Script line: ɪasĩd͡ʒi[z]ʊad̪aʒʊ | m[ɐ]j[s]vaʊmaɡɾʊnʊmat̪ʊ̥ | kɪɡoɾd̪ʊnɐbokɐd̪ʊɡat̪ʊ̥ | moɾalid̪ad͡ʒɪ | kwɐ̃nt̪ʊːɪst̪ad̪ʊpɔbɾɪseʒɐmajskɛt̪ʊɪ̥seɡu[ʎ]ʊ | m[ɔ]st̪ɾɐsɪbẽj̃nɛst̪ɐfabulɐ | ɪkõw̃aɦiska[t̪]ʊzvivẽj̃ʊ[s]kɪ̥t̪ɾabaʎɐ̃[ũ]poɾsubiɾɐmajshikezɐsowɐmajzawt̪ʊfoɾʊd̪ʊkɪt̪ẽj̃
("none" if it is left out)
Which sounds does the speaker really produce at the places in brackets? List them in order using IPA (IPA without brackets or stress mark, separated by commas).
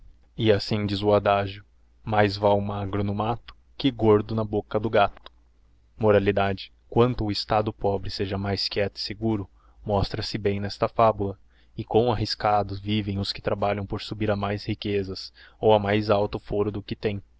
z, a, z, ɾ, ɔ, d̪, s, w̃